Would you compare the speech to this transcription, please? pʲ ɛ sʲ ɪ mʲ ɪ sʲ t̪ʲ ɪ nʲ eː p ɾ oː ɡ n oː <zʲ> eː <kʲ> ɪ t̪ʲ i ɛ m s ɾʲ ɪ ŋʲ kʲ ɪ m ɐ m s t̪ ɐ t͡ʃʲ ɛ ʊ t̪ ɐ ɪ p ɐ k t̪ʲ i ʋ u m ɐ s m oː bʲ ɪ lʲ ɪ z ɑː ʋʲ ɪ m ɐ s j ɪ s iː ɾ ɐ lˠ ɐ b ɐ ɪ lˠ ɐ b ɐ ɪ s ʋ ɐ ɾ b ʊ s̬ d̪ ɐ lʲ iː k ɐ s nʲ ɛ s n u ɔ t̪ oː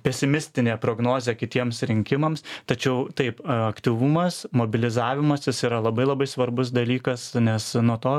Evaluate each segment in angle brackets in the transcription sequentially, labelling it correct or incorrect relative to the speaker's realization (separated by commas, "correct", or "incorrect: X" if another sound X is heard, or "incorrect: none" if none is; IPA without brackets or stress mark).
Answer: correct, correct